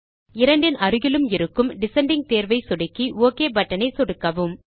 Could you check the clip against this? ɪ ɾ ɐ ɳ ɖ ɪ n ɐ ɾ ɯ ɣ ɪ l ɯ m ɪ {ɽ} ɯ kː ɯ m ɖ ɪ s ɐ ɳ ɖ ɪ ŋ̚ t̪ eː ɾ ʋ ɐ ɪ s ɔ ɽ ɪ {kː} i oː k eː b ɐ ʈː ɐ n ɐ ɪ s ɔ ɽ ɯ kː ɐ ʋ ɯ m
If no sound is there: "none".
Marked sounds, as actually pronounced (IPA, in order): ɾ, kː

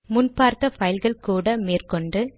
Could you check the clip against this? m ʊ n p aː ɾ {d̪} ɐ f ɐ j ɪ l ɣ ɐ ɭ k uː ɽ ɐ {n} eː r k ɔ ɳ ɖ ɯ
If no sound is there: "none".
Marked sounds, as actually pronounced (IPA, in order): t̪, m

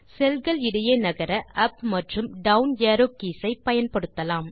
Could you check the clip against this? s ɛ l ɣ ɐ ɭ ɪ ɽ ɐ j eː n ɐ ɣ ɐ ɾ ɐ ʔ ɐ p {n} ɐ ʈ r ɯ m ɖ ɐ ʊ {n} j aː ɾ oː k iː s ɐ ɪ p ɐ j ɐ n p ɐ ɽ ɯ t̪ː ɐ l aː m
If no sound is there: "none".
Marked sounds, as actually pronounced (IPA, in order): m, n

